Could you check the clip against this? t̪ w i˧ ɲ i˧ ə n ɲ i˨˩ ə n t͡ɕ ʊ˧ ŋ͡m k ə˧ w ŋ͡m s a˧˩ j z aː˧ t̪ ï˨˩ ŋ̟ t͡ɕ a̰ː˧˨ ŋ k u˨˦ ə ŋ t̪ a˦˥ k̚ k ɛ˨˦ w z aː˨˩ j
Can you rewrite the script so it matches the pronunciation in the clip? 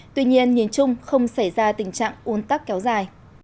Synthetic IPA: t̪ w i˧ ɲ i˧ ə n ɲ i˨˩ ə n t͡ɕ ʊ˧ ŋ͡m x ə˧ w ŋ͡m s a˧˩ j z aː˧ t̪ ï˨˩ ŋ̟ t͡ɕ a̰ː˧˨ ŋ ʔ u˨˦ ə n t̪ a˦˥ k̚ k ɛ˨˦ w z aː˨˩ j